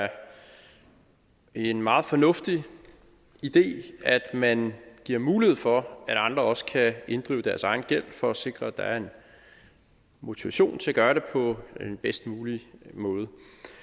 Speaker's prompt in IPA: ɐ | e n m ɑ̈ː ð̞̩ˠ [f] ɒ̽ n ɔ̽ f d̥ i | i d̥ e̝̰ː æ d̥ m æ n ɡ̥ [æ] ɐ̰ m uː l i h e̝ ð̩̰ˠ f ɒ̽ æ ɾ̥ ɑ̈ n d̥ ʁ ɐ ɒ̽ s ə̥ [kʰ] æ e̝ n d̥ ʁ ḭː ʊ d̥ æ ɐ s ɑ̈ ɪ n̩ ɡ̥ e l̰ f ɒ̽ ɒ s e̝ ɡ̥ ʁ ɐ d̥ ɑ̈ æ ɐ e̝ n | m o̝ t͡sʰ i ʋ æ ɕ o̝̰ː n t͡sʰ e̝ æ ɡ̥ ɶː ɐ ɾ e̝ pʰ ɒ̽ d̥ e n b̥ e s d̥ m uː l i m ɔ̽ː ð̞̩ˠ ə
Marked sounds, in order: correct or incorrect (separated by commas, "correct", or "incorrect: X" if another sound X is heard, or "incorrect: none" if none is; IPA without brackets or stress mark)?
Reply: correct, incorrect: i, correct